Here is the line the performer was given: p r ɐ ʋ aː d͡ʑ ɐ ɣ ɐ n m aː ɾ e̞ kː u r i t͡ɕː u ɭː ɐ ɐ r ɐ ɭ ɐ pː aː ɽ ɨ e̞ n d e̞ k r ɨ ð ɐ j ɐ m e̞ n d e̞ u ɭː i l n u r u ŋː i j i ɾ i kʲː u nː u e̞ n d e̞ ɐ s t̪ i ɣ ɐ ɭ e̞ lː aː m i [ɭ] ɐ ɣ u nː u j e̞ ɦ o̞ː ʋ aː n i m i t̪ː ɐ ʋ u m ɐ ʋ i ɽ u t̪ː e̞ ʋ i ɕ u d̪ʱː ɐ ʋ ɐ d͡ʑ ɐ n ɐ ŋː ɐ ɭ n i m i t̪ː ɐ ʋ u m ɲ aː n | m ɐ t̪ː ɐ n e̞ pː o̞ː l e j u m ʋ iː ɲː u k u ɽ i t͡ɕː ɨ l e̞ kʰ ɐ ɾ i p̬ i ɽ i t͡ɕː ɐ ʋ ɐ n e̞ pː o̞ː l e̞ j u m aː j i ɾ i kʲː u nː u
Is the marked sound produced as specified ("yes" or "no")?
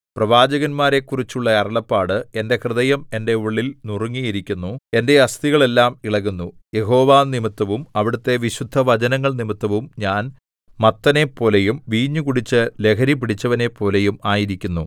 yes